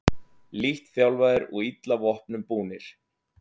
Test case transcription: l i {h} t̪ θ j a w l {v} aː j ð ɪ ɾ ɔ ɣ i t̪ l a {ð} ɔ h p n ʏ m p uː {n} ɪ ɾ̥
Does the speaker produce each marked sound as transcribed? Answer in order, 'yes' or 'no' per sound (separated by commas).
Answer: yes, yes, no, yes